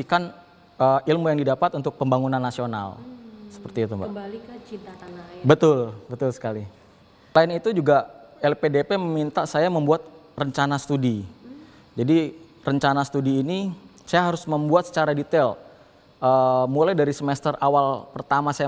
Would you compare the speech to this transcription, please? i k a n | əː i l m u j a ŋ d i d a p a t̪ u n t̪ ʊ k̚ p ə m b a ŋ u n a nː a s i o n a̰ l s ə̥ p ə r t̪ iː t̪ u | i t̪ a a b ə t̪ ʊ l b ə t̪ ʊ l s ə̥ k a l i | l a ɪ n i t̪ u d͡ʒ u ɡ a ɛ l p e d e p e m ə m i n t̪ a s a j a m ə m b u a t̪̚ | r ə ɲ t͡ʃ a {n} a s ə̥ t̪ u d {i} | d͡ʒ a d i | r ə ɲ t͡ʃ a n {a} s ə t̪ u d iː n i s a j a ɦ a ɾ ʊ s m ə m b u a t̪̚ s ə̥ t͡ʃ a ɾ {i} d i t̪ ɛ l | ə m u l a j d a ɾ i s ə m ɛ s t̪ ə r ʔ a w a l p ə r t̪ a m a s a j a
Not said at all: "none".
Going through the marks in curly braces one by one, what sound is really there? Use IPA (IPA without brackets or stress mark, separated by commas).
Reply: n, i, a, a